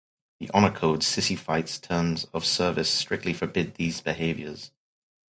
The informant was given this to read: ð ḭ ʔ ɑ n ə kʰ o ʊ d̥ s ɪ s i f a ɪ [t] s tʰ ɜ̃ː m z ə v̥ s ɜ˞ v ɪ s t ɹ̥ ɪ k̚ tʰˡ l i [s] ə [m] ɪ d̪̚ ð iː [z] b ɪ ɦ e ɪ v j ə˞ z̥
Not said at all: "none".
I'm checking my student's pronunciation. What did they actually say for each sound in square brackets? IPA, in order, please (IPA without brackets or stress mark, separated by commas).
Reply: t, f, b, z